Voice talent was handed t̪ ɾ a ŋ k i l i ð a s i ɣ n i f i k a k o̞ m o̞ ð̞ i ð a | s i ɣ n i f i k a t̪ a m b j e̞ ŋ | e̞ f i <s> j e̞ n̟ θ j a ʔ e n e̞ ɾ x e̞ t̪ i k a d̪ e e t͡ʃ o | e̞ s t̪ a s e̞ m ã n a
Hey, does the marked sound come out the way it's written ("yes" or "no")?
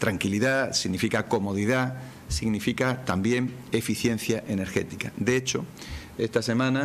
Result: no